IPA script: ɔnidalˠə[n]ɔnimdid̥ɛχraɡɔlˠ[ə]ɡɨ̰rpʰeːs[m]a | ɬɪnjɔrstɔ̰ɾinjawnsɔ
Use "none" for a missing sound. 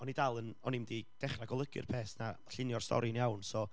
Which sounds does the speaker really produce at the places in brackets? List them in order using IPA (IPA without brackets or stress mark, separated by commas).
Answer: n, ə, n